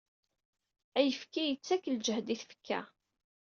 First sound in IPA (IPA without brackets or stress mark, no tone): æ